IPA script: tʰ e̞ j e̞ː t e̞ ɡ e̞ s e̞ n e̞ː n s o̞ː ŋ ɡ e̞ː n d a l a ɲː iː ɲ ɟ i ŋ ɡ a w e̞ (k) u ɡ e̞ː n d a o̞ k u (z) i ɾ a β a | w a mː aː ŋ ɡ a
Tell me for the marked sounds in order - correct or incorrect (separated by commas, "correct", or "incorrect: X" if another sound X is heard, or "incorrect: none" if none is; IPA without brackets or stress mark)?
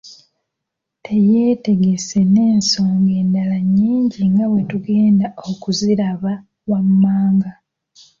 incorrect: t, correct